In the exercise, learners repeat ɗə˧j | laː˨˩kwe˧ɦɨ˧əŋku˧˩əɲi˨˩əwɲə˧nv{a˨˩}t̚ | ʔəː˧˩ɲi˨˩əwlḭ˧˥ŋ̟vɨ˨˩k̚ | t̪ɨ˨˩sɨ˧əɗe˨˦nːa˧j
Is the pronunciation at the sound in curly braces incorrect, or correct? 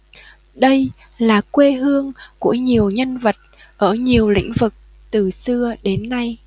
incorrect